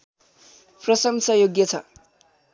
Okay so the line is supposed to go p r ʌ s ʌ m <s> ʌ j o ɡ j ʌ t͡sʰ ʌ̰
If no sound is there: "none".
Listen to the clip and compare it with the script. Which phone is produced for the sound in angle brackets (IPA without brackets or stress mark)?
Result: s